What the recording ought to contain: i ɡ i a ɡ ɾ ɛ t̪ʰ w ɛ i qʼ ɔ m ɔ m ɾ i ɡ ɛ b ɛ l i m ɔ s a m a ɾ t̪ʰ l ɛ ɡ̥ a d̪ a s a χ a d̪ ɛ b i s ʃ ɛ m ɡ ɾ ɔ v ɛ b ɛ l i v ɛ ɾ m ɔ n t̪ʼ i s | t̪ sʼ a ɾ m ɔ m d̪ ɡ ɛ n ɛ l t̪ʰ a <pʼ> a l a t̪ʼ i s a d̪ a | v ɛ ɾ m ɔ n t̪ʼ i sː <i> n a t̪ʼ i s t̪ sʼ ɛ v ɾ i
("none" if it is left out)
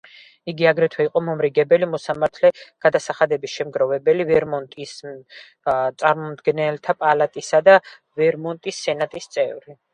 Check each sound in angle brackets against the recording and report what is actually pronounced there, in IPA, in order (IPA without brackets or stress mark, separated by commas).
pʼ, ɛ